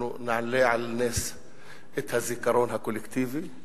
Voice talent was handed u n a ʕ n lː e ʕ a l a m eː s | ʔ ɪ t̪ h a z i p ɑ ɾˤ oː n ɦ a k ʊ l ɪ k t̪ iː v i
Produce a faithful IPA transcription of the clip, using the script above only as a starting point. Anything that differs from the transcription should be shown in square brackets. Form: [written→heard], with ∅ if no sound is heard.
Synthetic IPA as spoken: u n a ʕ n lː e ʕ a l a [m→n] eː s | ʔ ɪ t̪ h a z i [p→k] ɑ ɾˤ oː n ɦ a k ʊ l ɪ k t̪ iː v i